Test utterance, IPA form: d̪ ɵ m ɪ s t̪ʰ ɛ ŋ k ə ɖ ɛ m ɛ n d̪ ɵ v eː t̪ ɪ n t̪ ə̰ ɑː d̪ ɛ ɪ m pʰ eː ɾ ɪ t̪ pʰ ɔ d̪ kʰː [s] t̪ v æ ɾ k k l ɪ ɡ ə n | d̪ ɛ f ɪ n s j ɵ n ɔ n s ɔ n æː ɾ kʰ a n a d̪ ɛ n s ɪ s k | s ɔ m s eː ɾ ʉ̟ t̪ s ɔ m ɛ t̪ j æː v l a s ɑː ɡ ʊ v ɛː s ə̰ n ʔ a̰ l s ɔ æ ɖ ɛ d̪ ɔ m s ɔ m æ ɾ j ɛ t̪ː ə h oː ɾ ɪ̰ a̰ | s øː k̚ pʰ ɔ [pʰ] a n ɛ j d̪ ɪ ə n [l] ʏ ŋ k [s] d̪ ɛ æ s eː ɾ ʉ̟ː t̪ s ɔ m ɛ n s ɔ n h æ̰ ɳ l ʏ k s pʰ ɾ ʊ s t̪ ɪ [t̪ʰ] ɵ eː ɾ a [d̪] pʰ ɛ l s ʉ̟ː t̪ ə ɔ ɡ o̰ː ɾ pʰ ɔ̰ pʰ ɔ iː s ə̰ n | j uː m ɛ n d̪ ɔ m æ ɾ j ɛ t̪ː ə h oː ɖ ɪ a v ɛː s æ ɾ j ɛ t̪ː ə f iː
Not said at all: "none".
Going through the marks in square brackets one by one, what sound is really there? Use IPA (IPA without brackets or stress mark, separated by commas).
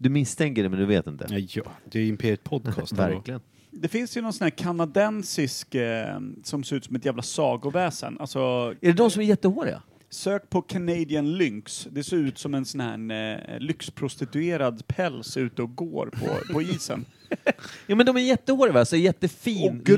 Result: s, kʰ, l, s, t̪, d̪